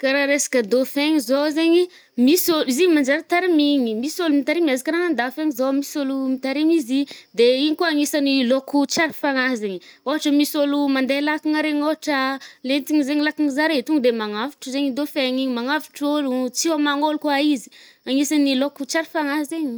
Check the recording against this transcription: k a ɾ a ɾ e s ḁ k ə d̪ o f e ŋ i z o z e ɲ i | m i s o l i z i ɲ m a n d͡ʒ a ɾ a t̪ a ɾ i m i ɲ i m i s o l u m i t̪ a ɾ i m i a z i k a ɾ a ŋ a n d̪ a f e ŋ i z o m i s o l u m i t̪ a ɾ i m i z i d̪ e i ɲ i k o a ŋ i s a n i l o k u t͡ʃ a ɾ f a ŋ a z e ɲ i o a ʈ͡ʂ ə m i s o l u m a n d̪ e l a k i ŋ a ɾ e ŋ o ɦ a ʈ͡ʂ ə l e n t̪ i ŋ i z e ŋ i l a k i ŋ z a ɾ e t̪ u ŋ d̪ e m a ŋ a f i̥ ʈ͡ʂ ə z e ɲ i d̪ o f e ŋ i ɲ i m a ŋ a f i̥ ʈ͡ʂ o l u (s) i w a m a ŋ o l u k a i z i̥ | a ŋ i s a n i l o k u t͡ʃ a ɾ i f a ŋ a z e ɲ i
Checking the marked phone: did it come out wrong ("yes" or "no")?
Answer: yes